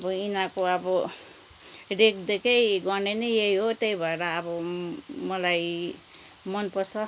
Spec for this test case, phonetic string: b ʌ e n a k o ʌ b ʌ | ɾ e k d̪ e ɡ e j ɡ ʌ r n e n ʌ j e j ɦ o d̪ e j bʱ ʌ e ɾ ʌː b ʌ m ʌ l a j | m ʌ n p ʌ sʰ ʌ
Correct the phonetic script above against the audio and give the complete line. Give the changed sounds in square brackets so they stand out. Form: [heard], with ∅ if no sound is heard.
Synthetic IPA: b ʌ [i] n a k o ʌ b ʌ | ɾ e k d̪ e [k] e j ɡ ʌ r n e n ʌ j e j ɦ o [t̪] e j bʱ ʌ e ɾ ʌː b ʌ m ʌ l a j | m ʌ n p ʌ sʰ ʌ